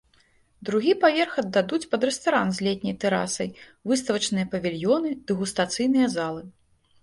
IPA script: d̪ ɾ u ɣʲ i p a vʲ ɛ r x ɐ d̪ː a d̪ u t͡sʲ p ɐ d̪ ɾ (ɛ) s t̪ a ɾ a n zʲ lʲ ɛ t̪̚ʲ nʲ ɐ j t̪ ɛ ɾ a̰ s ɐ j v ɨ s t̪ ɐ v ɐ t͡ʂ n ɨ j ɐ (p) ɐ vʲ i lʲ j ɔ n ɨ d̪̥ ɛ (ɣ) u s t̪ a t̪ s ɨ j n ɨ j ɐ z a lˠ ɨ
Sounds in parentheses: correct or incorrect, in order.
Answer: correct, correct, correct

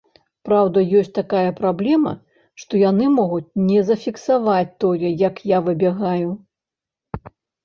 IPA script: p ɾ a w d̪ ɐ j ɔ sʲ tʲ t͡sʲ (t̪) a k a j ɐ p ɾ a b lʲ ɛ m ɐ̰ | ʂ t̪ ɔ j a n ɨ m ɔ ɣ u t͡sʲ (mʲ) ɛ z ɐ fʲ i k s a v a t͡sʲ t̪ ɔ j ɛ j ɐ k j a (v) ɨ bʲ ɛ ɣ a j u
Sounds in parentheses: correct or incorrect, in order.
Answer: correct, incorrect: nʲ, correct

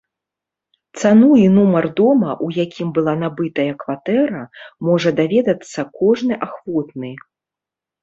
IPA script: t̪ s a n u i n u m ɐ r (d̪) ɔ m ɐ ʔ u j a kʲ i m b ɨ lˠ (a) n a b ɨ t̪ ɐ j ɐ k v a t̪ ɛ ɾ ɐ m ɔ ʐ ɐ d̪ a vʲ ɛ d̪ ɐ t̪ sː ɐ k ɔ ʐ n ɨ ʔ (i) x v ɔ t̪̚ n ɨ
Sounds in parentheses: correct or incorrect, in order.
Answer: correct, correct, incorrect: a

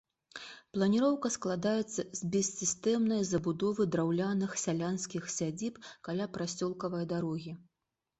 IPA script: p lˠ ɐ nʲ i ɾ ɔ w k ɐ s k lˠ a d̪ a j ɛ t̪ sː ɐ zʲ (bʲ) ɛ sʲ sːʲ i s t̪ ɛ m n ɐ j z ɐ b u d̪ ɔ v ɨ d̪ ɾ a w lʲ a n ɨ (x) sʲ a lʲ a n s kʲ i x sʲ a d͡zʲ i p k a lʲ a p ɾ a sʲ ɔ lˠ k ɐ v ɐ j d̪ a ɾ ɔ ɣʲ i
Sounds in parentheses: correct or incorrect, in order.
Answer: correct, correct

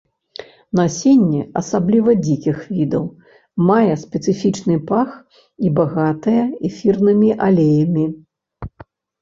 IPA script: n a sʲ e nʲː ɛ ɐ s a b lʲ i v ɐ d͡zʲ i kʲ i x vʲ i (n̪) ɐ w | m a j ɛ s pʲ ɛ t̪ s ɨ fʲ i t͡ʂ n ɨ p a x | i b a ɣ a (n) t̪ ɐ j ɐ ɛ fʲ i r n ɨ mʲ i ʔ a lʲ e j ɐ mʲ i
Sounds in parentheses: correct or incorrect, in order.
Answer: incorrect: d̪, incorrect: none

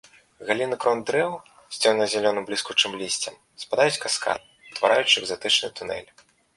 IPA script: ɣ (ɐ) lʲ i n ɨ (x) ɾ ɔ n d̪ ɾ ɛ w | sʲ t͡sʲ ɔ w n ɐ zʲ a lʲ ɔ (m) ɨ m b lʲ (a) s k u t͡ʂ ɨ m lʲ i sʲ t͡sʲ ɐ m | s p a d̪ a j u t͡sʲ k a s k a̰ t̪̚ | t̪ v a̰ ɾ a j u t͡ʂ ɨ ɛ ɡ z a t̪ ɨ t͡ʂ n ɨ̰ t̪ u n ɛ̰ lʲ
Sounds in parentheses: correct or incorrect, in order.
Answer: incorrect: a, incorrect: k, incorrect: n, incorrect: i

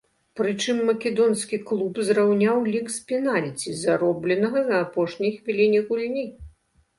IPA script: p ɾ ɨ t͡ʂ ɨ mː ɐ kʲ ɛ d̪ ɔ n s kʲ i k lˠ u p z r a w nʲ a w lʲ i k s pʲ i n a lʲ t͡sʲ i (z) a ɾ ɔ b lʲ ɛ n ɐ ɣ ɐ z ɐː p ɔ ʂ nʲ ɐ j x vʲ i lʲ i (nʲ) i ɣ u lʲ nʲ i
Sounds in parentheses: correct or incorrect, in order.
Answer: correct, correct

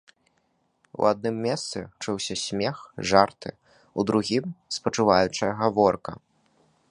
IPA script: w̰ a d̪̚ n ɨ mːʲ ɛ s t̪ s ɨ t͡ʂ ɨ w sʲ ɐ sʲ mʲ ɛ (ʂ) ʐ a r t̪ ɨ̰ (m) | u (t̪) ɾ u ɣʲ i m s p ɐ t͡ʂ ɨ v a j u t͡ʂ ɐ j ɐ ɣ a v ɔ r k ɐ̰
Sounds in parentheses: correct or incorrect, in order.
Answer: incorrect: x, incorrect: none, incorrect: d̪

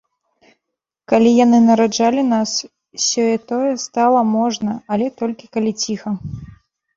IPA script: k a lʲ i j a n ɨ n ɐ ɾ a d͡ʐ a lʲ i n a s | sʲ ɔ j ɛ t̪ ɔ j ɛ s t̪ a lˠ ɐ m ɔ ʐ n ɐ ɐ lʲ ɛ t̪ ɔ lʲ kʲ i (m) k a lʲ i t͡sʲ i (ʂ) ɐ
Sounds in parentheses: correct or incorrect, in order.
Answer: incorrect: none, incorrect: x

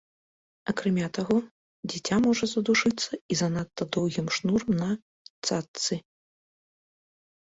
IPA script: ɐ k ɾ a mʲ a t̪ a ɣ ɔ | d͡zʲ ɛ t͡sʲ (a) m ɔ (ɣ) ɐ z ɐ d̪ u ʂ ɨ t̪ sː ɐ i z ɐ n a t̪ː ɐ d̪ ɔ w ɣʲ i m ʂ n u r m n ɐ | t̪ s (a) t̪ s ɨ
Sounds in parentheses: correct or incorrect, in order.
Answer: correct, incorrect: ʐ, correct

